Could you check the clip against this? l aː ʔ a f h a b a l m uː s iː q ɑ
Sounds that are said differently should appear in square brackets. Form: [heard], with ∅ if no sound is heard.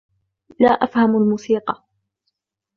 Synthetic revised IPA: l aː ʔ a f h a [m] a l m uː s iː q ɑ